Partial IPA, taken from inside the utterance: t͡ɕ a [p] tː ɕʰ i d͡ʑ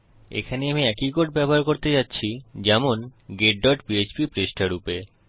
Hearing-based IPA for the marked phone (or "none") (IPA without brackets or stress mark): none